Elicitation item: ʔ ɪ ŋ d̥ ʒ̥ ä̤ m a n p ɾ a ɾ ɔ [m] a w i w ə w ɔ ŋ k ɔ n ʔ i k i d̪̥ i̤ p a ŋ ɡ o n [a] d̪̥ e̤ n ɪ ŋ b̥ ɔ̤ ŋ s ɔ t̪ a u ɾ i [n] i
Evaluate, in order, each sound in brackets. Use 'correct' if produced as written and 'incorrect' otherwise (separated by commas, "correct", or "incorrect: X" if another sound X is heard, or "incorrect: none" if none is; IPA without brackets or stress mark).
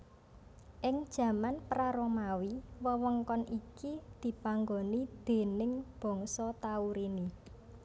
correct, incorrect: i, correct